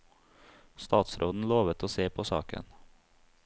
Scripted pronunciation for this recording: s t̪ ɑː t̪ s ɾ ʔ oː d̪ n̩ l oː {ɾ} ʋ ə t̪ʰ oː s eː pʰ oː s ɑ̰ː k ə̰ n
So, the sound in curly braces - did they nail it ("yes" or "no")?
no